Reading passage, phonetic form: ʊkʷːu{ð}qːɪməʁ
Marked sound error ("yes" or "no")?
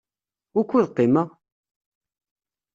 no